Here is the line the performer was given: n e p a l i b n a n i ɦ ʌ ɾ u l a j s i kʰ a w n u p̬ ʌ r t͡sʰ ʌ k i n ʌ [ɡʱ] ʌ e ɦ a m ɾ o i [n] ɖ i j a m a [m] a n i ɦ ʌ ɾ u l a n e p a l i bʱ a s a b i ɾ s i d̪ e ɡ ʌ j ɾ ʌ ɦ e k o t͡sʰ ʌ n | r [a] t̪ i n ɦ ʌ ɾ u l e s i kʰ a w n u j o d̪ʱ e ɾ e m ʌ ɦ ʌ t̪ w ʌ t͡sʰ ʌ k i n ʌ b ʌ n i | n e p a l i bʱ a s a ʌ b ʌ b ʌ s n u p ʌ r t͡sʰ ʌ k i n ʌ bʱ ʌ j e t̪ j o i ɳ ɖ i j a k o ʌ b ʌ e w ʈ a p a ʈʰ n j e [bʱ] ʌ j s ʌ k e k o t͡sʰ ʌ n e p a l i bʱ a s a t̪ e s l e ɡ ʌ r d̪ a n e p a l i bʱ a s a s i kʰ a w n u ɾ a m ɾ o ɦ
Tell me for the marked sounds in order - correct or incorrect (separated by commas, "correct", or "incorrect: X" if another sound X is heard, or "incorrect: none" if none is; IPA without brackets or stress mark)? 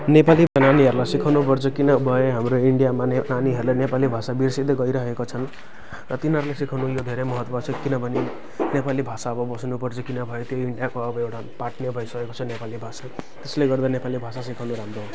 incorrect: bʱ, incorrect: ɳ, incorrect: n, incorrect: ʌ, correct